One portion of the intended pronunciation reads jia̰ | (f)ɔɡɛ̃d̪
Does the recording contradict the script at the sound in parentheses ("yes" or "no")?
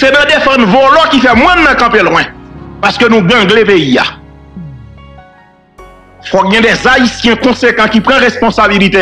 no